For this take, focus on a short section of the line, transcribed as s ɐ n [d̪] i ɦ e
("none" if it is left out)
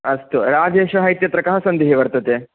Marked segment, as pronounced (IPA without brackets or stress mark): d̪